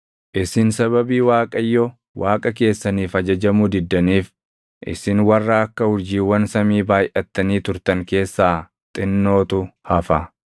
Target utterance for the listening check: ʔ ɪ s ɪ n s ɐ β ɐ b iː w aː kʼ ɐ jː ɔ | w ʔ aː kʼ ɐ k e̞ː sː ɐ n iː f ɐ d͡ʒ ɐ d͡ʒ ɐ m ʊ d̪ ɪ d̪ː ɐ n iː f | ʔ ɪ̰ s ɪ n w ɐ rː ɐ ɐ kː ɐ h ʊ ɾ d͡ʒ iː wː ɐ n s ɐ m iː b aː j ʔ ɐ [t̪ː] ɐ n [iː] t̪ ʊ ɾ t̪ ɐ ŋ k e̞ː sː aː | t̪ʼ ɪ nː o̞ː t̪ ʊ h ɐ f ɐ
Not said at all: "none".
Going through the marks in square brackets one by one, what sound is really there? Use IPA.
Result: t̪ː, iː

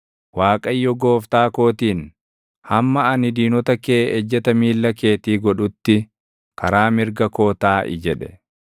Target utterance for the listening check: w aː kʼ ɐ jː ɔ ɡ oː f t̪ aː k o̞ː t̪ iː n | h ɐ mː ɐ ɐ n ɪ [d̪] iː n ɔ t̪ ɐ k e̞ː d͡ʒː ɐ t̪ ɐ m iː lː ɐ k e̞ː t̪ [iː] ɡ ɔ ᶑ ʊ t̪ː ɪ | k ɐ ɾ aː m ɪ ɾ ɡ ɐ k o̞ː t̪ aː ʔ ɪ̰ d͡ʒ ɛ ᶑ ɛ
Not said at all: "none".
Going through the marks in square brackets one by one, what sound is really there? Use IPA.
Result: d̪, iː

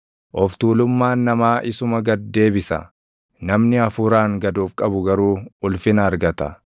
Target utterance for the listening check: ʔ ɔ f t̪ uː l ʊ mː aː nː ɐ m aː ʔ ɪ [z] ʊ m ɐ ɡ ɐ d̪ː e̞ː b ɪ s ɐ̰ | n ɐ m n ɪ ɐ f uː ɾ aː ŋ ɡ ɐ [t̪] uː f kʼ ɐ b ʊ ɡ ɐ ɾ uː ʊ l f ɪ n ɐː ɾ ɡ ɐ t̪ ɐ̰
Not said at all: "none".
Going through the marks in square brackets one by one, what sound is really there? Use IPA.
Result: s, d̪

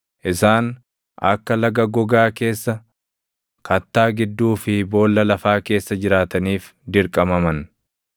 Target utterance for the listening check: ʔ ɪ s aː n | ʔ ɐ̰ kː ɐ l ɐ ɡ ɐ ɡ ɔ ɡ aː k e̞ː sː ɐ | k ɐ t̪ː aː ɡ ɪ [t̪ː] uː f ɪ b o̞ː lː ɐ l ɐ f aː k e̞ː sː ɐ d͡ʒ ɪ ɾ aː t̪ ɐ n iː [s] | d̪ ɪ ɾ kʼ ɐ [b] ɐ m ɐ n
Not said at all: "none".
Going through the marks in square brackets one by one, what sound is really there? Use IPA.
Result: d̪ː, f, m

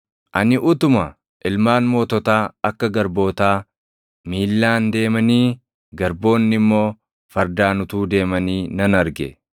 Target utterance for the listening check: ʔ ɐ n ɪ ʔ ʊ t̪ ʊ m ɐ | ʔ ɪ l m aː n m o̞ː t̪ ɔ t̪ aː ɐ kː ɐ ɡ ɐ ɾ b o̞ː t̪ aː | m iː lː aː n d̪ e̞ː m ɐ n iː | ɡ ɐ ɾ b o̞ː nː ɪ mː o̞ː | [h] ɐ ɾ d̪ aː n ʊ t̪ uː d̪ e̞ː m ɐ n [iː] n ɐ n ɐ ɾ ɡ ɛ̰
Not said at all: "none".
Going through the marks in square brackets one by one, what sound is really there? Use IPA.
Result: f, iː

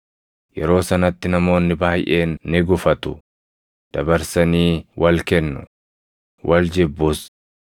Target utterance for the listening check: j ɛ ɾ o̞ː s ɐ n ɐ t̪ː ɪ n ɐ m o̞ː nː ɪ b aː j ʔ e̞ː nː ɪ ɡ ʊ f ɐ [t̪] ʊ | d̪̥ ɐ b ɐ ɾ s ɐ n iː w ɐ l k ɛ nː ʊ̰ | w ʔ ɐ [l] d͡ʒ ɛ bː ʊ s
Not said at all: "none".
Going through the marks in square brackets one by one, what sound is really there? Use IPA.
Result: t̪, l

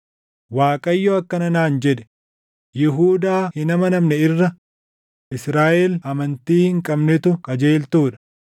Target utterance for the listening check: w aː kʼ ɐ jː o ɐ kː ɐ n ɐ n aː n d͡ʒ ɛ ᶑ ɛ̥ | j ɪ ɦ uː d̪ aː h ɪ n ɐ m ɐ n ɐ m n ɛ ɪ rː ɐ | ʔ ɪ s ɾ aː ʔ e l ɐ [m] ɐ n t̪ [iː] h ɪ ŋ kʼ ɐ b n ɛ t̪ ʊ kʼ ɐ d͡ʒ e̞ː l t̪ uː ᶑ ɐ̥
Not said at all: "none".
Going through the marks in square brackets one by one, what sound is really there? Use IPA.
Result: m, iː

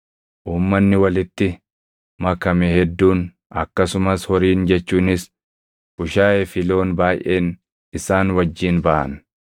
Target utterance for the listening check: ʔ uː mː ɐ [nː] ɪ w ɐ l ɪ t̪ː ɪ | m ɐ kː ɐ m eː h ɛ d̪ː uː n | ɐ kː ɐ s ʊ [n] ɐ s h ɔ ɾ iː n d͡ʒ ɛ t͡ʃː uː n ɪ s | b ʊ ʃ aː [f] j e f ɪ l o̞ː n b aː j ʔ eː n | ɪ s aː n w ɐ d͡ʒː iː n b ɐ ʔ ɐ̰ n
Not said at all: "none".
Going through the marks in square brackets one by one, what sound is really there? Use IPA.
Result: nː, m, none

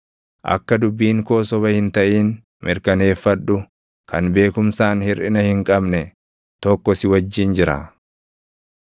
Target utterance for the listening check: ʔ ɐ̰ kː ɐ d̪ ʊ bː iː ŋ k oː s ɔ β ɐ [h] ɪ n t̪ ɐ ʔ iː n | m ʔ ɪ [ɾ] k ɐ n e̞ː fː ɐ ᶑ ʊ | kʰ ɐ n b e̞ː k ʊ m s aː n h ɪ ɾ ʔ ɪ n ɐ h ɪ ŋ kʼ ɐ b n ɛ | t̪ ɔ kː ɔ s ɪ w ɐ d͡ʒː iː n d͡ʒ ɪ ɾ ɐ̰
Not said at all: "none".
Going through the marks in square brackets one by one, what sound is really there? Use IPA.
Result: h, ɾ

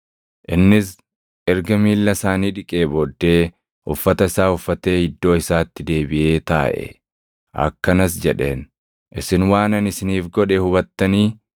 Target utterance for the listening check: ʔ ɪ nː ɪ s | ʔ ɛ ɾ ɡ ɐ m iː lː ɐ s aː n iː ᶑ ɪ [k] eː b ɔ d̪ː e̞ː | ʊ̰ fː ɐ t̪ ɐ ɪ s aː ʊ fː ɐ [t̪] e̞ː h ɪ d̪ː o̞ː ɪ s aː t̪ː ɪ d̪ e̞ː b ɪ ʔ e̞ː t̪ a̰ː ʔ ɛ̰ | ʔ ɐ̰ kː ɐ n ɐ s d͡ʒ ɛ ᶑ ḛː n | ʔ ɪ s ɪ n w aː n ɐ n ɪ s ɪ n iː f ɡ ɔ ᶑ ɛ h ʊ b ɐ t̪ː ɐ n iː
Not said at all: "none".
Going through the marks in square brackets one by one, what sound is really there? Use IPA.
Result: kʼ, t̪

